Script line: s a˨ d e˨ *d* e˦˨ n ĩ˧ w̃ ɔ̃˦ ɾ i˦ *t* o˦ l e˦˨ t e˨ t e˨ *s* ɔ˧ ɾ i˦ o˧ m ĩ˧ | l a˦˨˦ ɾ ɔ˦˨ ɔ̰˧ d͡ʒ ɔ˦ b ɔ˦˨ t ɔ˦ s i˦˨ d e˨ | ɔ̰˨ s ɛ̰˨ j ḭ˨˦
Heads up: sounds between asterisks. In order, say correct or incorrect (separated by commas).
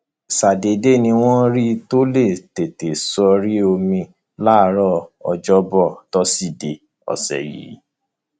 correct, correct, correct